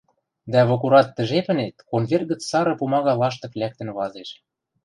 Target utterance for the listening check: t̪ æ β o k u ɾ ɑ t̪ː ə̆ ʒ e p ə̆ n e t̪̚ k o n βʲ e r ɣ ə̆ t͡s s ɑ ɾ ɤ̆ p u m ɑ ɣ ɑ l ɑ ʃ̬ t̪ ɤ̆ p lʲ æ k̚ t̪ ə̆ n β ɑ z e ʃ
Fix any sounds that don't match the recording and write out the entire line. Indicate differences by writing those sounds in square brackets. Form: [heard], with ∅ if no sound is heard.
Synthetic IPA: [d̪] æ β o k u ɾ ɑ t̪ː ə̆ ʒ e p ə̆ n e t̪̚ k o n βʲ e r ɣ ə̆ t͡s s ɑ ɾ ɤ̆ p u m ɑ ɣ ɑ l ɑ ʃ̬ t̪ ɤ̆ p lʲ æ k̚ t̪ ə̆ n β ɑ z e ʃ